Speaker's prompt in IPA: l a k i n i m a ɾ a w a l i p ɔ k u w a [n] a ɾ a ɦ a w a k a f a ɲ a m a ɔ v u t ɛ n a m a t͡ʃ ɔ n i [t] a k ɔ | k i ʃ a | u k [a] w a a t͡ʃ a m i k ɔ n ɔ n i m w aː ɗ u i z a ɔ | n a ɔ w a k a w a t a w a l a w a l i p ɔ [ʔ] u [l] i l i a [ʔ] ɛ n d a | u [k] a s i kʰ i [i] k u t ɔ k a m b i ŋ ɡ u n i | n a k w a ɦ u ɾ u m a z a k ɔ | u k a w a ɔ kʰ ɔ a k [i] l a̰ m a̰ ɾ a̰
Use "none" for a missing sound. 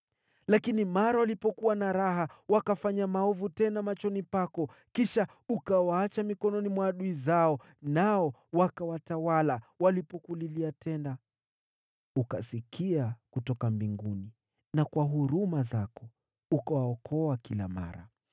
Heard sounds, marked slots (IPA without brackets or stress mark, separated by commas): n, p, a, k, l, t, k, a, i